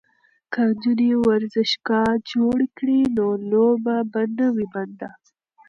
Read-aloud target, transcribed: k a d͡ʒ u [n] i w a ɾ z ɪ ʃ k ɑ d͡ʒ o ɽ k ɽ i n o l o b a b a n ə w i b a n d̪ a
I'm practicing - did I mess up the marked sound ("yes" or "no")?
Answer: no